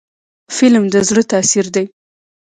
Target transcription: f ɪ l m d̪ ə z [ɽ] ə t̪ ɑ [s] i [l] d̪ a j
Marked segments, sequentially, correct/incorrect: correct, correct, incorrect: ɾ

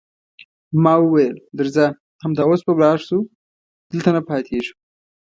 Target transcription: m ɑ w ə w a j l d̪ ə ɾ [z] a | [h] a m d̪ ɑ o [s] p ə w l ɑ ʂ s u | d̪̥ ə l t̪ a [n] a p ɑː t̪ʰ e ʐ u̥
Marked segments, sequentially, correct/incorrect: correct, correct, correct, correct

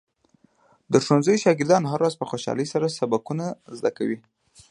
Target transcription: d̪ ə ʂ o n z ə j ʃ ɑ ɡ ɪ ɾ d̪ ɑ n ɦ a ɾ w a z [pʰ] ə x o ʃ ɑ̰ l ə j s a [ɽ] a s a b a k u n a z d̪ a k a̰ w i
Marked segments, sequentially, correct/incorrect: incorrect: p, incorrect: ɾ

